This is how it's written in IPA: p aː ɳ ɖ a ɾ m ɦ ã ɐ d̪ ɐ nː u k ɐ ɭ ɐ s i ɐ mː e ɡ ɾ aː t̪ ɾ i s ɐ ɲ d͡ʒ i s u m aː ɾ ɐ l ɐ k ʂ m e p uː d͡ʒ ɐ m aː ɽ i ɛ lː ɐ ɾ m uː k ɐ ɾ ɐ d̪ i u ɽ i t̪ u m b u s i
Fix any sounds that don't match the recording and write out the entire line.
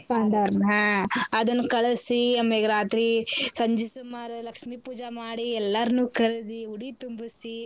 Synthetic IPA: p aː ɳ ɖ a ɾ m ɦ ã ɐ d̪ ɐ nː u k ɐ ɭ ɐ s i ɐ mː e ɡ ɾ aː t̪ ɾ i s ɐ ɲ d͡ʒ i s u m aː ɾ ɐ l ɐ k ʂ m i p uː d͡ʒ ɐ m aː ɽ i ɛ lː ɐ ɾ n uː k ɐ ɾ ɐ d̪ i u ɽ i t̪ u m b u s i